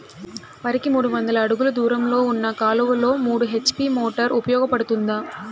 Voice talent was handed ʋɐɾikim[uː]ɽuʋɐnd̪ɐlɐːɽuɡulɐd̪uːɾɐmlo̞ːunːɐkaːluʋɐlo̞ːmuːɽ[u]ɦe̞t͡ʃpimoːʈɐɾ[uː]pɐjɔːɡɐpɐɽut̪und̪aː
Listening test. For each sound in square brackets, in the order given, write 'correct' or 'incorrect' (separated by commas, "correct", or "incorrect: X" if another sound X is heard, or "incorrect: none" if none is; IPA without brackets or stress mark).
correct, correct, incorrect: u